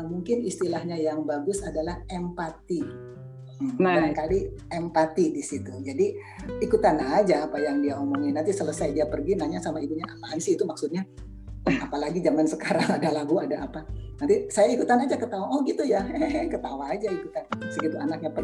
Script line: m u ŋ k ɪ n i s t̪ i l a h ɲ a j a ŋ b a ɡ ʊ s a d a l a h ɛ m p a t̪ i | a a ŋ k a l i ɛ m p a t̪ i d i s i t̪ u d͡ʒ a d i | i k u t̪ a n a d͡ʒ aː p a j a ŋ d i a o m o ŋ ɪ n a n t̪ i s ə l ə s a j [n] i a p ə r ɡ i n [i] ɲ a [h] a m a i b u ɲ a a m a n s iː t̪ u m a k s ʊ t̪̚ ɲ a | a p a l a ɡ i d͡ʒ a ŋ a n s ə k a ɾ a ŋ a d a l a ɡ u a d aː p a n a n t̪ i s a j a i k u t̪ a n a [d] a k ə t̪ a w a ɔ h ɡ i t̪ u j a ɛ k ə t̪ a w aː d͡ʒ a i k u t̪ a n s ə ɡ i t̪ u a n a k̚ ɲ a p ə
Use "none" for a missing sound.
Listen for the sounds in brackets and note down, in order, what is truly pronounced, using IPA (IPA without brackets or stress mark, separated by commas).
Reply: d, a, s, d͡ʒ